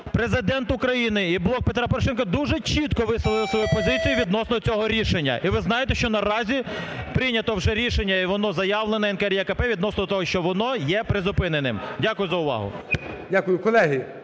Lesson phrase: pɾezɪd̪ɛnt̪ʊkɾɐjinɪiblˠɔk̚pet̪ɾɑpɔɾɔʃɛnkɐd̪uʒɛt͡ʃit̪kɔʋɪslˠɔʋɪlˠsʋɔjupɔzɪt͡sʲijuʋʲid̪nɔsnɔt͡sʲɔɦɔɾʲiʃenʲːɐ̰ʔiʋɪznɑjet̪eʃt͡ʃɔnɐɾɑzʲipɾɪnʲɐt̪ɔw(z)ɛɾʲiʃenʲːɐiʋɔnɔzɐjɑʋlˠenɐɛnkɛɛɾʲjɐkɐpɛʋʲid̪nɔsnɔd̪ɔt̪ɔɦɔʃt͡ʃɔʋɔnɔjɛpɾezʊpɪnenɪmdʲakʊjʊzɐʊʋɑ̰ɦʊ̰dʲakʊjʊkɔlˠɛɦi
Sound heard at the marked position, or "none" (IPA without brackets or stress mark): ʒ